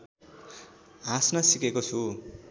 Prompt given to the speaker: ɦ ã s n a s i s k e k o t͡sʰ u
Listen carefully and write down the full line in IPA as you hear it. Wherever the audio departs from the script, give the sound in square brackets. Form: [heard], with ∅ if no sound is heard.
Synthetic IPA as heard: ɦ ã s n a s i [∅] k e k o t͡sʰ u